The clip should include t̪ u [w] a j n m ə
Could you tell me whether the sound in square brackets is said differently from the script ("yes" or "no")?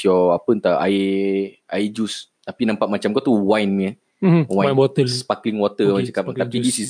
no